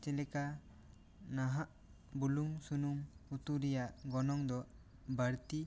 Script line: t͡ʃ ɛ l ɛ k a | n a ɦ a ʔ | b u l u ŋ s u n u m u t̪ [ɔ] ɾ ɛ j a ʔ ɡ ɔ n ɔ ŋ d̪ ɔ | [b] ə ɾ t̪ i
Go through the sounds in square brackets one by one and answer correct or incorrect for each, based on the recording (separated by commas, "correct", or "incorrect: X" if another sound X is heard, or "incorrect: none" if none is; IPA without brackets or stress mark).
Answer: incorrect: u, correct